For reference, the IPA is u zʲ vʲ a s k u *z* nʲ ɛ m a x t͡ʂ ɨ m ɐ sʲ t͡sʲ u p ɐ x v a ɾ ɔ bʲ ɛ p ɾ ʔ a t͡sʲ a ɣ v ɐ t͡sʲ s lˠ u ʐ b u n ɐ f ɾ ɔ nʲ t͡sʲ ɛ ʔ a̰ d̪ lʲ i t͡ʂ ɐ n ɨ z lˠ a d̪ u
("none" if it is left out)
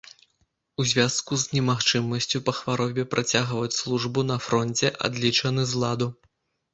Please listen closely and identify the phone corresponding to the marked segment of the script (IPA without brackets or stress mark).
z